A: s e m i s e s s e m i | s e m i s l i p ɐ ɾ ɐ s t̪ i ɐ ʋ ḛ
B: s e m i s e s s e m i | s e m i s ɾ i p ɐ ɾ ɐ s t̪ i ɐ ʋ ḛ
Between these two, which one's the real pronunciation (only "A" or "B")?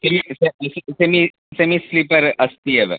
A